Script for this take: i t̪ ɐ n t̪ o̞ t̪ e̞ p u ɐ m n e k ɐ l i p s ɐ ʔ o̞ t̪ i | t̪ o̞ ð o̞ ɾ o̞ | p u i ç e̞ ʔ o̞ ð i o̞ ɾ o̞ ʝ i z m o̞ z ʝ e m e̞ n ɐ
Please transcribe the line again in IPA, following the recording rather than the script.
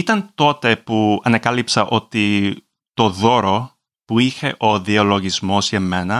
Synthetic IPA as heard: i t̪ ɐ n t̪ o̞ t̪ e̞ p u ɐ n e k ɐ l i p s ɐ ʔ o̞ t̪ i | t̪ o̞ ð o̞ ɾ o̞ | p u i ç e̞ ʔ o̞ ð i o̞ l o̞ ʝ i z m o̞ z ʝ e m e̞ n ɐ